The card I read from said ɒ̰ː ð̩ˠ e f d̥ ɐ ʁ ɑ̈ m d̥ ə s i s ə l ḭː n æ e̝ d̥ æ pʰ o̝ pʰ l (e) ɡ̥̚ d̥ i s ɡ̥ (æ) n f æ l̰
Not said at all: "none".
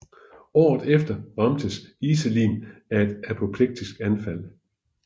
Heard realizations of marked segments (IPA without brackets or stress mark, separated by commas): e, æ